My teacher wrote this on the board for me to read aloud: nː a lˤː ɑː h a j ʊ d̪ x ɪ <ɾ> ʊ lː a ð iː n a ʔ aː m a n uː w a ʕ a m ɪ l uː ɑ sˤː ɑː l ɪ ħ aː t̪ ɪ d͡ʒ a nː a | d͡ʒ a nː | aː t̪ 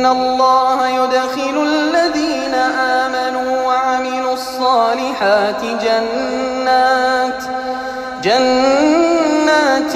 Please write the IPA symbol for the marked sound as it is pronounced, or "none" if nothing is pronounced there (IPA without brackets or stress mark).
l